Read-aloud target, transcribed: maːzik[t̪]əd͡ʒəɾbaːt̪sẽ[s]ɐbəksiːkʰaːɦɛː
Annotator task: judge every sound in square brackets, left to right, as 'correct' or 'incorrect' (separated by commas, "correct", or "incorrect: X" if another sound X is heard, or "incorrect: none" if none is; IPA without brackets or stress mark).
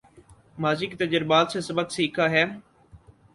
correct, correct